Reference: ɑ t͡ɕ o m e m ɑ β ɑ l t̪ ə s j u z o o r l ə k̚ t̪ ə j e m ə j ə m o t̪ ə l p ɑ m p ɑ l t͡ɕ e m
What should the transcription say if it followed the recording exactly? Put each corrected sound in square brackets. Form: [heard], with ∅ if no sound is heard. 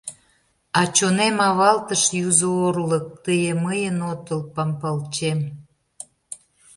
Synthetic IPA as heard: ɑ t͡ɕ o [n] e m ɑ β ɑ l t̪ ə [ʃ] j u z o o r l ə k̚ t̪ ə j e m ə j ə [n] o t̪ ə l p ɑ m p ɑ l t͡ɕ e m

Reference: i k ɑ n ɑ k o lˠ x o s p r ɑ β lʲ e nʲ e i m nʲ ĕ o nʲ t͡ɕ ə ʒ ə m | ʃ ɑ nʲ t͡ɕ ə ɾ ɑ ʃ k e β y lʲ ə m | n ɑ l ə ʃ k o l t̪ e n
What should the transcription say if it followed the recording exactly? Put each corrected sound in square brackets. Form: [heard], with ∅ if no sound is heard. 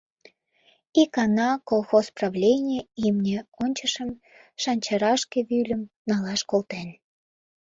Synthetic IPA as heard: i k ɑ n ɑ k o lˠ x o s p r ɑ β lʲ e nʲ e i m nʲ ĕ o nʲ t͡ɕ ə [ʃ] ə m | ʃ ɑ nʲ t͡ɕ [ɑ] ɾ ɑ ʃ k e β y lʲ ə m | n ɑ l [ɑ] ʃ k o l t̪ e n

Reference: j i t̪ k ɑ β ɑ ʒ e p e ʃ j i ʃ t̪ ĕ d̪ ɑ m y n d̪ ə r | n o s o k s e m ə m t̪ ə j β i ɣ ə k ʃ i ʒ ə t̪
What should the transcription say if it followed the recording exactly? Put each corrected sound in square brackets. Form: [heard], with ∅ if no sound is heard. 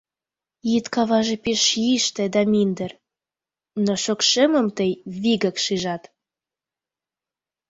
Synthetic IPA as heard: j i t̪ k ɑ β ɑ ʒ e p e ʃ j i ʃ t̪ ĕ d̪ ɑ m [i] n d̪ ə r | n o [ʃ] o k [ʃ] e m ə m t̪ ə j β i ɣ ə k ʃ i ʒ [ɑ] t̪

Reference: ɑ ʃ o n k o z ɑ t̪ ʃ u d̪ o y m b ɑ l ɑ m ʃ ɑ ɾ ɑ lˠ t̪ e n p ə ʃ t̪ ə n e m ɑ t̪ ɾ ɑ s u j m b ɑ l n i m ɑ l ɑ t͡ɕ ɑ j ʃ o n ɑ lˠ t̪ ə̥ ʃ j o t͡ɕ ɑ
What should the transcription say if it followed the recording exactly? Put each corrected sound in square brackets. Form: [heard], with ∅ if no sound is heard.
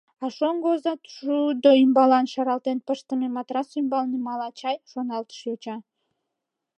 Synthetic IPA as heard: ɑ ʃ o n [ɡ] o z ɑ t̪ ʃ u d̪ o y m b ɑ l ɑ [n] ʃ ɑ ɾ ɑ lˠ t̪ e n p ə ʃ t̪ ə [m] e m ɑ t̪ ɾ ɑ s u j m b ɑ l n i m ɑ l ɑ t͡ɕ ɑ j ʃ o n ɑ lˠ t̪ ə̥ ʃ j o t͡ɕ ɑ

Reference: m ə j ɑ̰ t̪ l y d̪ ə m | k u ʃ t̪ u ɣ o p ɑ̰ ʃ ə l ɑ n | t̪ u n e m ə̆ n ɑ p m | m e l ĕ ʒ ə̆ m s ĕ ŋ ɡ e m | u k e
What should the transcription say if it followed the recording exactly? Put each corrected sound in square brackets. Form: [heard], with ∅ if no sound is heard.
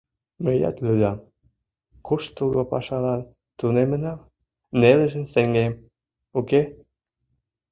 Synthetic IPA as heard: m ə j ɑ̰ t̪ l y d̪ [ɑ] m | k u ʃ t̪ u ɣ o p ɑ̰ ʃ [ɑ] l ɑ n | t̪ u n e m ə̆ n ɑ [∅] m | [n] e l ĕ ʒ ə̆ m s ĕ ŋ ɡ e m | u k e

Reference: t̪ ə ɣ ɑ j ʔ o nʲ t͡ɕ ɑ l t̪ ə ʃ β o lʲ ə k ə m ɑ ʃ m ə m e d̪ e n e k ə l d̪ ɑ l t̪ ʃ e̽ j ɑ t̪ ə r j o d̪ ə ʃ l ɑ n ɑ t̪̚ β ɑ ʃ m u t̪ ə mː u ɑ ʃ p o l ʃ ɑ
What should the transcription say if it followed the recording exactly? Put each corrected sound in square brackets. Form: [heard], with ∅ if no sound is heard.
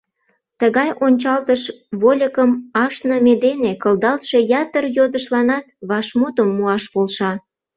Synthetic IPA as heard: t̪ ə ɣ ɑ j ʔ o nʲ t͡ɕ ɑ l t̪ ə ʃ β o lʲ ə k ə m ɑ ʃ [n] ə m e d̪ e n e k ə l d̪ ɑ l t̪ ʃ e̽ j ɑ t̪ ə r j o d̪ ə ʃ l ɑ n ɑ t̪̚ β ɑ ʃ m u t̪ ə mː u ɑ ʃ p o l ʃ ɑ

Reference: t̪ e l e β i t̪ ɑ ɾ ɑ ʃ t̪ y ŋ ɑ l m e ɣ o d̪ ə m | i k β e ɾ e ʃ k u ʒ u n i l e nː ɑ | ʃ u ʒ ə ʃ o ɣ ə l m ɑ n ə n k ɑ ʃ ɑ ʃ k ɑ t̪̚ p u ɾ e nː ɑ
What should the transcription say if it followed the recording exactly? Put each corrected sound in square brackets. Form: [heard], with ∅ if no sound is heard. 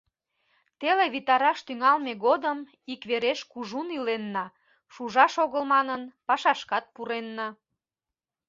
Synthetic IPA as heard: t̪ e l e β i t̪ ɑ ɾ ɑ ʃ t̪ y ŋ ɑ l m e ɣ o d̪ ə m | i k β e ɾ e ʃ k u ʒ u n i l e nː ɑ | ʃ u ʒ [ɑ] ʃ o ɣ ə l m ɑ n ə n [p] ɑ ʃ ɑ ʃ k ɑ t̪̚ p u ɾ e nː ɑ

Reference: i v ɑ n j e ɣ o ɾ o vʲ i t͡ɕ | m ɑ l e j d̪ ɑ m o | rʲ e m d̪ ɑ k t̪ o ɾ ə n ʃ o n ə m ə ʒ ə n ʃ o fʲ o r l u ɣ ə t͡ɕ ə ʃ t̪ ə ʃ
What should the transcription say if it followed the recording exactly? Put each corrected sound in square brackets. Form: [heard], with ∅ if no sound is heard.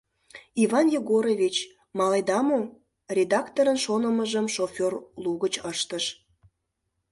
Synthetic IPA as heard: i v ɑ n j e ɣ o ɾ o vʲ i t͡ɕ | m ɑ l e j d̪ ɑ m o | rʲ e [∅] d̪ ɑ k t̪ o ɾ ə n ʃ o n ə m ə ʒ ə [m] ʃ o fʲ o r l u ɣ ə t͡ɕ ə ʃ t̪ ə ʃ

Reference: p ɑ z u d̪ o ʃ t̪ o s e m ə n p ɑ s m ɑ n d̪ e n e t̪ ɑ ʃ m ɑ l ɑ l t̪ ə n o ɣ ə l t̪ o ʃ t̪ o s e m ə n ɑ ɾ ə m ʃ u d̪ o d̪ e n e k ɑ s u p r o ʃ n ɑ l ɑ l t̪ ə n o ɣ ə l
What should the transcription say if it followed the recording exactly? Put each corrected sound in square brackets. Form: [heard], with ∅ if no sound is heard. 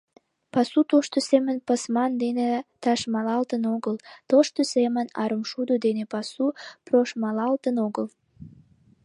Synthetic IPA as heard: p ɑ [s] u [t̪] o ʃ t̪ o s e m ə n p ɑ s m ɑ n d̪ e n e t̪ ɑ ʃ m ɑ l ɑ l t̪ ə n o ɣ ə l t̪ o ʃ t̪ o s e m ə n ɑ ɾ ə m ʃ u d̪ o d̪ e n e [p] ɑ s u p r o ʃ [m] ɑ l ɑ l t̪ ə n o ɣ ə l

